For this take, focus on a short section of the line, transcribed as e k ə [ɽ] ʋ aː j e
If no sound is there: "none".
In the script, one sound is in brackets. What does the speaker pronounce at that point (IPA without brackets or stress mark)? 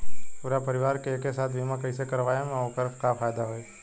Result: ɾ